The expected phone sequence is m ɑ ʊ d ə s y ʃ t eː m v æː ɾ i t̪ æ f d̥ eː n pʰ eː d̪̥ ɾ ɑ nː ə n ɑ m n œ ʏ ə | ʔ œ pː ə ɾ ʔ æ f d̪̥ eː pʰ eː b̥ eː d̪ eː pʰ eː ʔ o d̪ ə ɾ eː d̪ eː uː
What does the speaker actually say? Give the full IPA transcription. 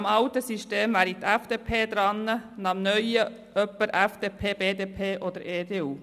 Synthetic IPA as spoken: m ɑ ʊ t ə s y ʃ t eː m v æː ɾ i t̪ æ f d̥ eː pʰ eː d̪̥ ɾ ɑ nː ə n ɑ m n œ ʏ ə | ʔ œ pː ə ɾ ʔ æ f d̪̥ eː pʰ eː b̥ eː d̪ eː pʰ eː ʔ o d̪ ə ɾ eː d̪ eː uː